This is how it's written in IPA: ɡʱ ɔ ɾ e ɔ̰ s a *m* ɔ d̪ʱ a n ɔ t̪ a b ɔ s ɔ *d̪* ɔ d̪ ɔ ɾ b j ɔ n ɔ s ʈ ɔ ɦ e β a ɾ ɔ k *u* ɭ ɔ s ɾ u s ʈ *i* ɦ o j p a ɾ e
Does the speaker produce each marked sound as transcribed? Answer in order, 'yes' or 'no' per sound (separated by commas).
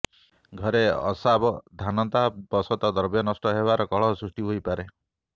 no, no, no, yes